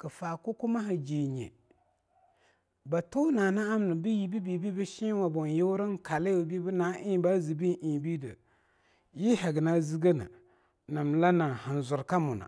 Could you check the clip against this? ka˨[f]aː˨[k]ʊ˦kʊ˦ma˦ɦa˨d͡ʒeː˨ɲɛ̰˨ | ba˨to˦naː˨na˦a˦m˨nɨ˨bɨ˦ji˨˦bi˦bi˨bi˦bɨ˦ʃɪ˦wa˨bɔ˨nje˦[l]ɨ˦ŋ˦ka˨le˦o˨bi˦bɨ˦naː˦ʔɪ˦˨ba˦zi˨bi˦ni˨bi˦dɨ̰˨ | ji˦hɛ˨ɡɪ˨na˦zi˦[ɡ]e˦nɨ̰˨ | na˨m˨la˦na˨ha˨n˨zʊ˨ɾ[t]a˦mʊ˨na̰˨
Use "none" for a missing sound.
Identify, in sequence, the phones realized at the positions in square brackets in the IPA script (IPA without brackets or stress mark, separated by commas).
f, k, ɾ, ɡ, k